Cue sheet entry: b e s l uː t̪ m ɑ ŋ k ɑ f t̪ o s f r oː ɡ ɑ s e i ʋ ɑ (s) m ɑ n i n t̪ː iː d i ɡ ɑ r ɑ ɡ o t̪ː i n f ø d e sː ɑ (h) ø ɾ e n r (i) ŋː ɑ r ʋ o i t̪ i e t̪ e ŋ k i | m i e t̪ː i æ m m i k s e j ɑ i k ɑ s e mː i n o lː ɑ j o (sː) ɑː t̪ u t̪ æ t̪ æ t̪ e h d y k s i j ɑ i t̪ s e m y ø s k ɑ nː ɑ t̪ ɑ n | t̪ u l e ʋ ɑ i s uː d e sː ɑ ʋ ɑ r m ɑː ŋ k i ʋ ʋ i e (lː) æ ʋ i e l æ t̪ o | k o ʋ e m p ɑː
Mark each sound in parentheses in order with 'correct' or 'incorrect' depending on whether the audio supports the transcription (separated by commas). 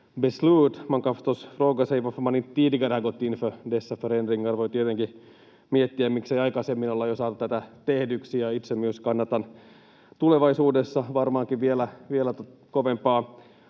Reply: incorrect, incorrect, correct, incorrect, incorrect